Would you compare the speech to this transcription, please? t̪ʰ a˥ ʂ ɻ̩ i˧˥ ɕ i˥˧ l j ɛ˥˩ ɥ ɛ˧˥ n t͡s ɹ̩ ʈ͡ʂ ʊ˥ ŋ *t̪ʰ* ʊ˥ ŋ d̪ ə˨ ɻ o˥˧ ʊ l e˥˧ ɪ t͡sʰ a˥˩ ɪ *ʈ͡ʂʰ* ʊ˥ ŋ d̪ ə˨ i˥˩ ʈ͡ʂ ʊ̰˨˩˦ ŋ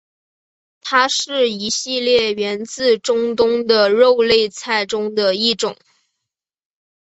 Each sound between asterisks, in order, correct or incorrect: incorrect: t̪, incorrect: ʈ͡ʂ

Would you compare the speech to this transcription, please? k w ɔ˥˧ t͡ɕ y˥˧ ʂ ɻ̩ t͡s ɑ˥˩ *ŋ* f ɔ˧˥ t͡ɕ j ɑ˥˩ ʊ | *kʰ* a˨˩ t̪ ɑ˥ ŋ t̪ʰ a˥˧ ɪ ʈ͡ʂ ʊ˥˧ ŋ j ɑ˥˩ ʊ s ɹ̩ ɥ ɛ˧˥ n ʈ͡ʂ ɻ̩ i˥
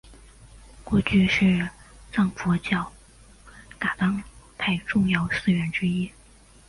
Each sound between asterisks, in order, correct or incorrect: correct, incorrect: k

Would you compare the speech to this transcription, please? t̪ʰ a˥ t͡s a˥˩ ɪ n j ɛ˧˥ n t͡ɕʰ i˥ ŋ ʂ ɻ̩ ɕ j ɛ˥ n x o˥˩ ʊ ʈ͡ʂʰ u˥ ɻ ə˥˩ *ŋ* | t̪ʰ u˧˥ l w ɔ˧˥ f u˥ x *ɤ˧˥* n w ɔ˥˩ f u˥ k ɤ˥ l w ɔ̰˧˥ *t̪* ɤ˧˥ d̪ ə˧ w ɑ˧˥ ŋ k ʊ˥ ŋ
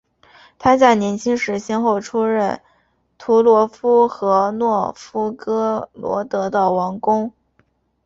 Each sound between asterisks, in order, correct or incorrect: incorrect: n, correct, correct

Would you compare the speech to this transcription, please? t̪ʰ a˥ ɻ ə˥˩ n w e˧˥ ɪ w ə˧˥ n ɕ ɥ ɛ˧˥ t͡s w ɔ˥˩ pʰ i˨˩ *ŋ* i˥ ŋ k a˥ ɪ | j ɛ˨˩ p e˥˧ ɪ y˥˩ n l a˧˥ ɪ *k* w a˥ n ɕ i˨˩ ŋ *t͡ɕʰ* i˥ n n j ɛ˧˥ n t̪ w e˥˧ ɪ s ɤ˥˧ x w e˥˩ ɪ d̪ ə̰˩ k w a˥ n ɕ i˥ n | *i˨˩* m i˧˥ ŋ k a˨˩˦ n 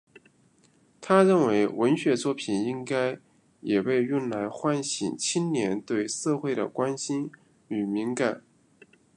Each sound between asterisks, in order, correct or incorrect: incorrect: n, incorrect: x, correct, incorrect: y˨˩

